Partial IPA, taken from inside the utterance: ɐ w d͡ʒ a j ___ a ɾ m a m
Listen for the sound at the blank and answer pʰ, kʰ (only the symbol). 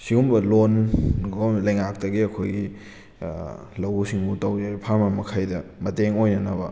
pʰ